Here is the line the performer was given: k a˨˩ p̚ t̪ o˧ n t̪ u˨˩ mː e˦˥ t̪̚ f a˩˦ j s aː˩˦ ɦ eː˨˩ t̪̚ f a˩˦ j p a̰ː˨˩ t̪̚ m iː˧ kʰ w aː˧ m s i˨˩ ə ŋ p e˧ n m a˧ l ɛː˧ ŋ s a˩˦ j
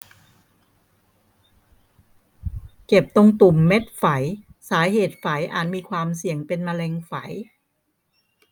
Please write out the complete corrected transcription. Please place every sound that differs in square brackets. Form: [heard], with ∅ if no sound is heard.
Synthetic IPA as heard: k [e˨˩] p̚ t̪ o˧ [ŋ] t̪ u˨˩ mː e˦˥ t̪̚ f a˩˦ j s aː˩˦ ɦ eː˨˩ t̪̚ f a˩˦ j [ʔ] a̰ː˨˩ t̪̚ m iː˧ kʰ w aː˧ m s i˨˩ ə ŋ p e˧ n m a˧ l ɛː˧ ŋ [f] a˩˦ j